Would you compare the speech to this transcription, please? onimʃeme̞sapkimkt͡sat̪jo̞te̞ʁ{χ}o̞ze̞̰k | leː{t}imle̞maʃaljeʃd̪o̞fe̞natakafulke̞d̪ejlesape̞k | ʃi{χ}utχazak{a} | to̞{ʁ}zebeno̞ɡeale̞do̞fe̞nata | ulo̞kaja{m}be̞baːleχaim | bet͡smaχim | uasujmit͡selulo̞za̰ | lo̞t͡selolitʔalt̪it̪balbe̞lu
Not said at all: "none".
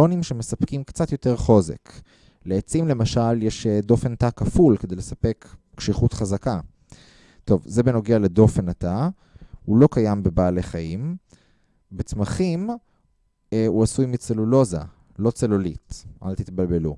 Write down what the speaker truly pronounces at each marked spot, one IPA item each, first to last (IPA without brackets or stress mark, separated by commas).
χ, t͡s, χ, a, v, m